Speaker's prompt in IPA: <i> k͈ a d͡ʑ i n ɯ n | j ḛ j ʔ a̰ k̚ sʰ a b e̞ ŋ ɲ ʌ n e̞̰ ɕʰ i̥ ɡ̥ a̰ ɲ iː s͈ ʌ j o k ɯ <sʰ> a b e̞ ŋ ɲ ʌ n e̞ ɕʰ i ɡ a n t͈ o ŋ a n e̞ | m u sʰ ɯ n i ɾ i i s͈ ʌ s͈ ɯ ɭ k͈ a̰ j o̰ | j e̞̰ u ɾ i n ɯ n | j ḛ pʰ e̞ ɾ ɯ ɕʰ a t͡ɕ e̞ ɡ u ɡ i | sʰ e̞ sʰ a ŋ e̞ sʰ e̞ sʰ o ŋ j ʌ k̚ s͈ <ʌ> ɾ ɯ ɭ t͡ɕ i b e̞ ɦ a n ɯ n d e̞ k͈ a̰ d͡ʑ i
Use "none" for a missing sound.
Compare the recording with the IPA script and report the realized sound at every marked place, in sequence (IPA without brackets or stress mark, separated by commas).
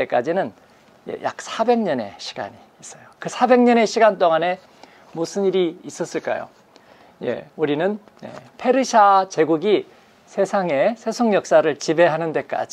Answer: e, sʰ, a